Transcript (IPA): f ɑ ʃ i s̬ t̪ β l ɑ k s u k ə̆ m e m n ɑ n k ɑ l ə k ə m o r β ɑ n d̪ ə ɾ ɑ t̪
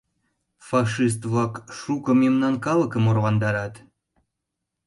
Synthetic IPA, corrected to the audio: f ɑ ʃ i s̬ t̪ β l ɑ k ʃ u k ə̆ m e m n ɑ n k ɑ l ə k ə m o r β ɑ n d̪ ɑ ɾ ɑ t̪